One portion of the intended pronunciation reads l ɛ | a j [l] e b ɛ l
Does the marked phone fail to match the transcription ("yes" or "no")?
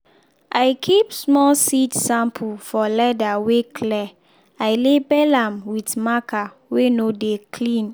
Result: no